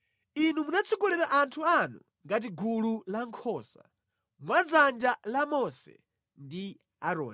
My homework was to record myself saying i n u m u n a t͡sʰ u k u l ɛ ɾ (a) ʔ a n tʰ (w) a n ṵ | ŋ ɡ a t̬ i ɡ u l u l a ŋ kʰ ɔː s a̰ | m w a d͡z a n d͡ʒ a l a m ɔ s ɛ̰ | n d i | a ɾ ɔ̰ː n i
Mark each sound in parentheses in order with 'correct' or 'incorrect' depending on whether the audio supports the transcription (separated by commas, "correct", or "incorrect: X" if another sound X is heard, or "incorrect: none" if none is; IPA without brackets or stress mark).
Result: correct, incorrect: u